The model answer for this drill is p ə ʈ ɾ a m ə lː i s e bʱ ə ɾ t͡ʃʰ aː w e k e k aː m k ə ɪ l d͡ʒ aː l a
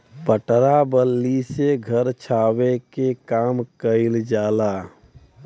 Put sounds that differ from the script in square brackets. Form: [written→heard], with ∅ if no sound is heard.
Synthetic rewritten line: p ə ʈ ɾ a [m→b] ə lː i s e [bʱ→ɡʱ] ə ɾ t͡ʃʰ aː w e k e k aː m k ə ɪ l d͡ʒ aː l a